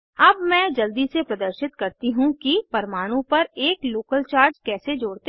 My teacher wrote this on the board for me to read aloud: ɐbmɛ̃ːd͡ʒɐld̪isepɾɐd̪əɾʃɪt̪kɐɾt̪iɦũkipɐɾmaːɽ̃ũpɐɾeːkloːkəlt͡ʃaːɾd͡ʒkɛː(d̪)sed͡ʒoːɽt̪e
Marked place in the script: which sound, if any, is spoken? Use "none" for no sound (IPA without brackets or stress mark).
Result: none